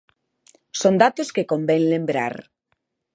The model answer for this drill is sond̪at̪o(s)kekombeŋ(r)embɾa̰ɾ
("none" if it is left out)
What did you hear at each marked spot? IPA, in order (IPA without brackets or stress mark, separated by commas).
s, l